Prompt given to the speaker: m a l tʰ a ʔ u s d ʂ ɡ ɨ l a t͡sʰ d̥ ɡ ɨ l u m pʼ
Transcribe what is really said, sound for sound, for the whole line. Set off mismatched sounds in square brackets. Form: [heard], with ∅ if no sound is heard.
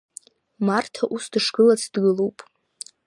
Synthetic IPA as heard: m a [r] tʰ a ʔ u s d ʂ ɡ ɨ l a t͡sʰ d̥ ɡ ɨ l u [∅] pʼ